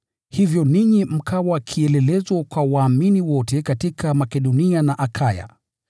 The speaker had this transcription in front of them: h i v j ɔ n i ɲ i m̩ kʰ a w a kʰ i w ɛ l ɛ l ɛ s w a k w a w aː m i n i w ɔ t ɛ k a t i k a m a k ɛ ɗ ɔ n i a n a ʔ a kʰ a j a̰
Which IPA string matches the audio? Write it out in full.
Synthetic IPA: h i v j ɔ n i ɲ i m̩ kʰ a w a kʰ i ɛ l ɛ l ɛ z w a k w a w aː m i n i w ɔ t ɛ k a t i k a m a k ɛ ɗ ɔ n i a n a ʔ a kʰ a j a̰